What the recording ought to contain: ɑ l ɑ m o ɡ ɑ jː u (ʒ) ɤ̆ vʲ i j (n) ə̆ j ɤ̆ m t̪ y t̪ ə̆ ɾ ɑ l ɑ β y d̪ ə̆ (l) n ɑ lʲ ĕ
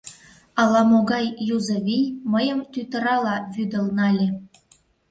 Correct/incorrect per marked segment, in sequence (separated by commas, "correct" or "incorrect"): incorrect, incorrect, correct